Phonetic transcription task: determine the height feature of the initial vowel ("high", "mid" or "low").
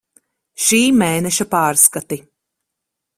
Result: high